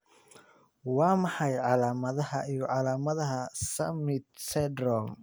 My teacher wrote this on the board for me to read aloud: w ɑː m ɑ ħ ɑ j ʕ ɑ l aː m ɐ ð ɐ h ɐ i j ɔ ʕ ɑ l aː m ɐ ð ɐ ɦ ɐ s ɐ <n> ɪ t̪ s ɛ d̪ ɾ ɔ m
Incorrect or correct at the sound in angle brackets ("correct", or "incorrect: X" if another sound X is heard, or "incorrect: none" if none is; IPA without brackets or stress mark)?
incorrect: m